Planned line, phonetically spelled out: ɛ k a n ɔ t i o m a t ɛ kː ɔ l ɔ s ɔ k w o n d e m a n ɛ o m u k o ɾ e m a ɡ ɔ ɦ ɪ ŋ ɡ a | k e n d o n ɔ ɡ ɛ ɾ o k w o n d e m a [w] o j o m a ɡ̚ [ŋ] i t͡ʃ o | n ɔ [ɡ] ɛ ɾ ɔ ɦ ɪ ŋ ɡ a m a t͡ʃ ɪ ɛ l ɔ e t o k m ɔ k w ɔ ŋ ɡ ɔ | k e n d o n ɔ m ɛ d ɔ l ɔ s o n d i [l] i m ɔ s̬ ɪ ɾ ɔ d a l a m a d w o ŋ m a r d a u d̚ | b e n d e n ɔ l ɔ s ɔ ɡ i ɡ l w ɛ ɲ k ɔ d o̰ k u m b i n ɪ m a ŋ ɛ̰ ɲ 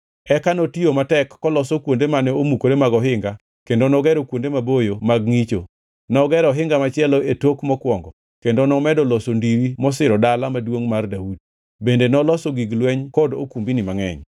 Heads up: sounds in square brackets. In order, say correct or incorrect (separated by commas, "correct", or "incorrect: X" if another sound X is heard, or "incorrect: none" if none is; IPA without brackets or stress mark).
incorrect: b, correct, correct, incorrect: ɾ